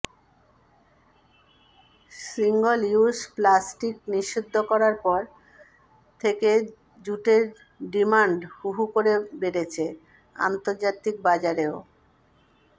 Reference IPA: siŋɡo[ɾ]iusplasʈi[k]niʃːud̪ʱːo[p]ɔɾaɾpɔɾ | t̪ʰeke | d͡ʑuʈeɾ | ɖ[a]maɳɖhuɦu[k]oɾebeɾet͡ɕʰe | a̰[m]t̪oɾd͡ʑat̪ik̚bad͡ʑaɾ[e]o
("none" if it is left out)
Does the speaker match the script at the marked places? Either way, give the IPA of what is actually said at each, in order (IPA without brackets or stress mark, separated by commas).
l, k, k, i, k, n, e